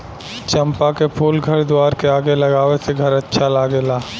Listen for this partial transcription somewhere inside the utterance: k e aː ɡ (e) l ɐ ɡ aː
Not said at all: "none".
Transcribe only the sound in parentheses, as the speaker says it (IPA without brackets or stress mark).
e